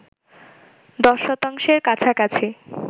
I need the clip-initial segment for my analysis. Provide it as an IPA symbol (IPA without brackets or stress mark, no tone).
d̪